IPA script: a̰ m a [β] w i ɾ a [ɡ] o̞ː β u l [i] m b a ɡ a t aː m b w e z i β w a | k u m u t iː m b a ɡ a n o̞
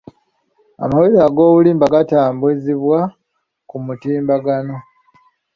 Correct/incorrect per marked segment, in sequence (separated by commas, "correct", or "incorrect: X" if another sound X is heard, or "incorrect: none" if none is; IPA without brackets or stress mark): incorrect: none, correct, incorrect: iː